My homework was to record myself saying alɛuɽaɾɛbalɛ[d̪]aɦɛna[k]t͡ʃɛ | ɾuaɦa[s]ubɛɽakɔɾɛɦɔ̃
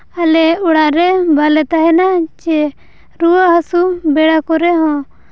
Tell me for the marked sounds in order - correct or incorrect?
incorrect: t̪, incorrect: none, correct

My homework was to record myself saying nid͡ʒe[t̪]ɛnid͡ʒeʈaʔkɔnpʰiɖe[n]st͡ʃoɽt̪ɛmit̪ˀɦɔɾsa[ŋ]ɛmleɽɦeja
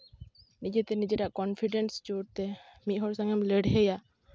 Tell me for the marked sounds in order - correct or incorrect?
correct, correct, correct

